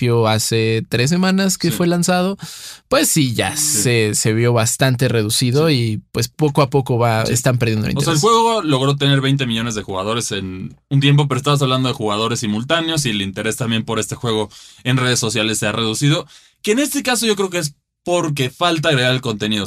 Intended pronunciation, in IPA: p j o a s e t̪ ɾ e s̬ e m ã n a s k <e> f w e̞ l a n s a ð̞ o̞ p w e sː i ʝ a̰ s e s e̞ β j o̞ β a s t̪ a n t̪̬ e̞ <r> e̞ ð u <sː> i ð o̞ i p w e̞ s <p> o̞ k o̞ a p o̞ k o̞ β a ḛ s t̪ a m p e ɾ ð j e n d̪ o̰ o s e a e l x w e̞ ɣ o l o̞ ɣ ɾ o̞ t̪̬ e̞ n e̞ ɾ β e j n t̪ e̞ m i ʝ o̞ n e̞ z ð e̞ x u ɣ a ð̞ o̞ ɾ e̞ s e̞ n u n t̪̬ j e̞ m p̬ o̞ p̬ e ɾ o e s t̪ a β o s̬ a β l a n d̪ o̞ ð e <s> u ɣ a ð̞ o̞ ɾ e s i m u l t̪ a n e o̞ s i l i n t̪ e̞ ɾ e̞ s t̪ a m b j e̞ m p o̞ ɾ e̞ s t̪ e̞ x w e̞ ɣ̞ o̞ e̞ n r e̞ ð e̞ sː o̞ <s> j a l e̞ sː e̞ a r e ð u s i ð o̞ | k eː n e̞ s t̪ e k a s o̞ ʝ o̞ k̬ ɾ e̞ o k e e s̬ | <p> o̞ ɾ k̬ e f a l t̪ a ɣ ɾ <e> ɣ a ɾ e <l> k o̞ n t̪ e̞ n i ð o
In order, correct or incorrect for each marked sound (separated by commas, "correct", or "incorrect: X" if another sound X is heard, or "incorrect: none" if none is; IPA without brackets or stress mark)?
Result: correct, correct, incorrect: s, correct, incorrect: x, correct, correct, correct, correct